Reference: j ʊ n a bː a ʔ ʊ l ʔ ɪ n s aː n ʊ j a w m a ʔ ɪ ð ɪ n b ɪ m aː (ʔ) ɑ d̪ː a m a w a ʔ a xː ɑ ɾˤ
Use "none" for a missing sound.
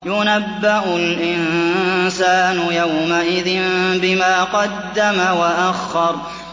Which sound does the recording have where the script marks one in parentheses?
q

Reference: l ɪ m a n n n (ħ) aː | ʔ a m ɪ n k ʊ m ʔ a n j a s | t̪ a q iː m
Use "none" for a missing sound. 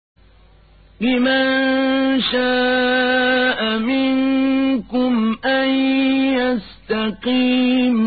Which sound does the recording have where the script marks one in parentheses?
ʃ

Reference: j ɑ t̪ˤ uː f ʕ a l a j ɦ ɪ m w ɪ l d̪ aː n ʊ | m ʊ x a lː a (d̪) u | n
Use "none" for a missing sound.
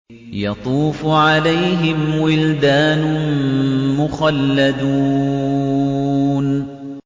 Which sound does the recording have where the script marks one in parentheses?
d̪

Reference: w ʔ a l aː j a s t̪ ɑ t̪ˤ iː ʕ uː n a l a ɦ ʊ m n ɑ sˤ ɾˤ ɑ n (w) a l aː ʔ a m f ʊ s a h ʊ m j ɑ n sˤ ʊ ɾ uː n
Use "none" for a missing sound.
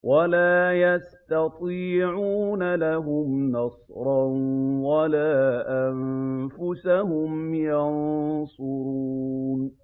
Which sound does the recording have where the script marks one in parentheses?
w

